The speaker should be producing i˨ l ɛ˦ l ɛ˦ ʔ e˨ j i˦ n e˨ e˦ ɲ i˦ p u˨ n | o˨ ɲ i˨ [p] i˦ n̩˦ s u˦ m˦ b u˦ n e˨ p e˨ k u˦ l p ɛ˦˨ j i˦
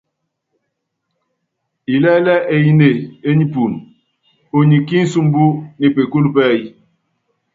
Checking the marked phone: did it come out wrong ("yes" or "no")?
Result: yes